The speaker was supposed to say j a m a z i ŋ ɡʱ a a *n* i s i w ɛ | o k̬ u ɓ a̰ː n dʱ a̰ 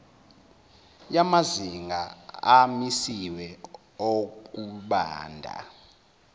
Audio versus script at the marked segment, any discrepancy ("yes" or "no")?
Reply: yes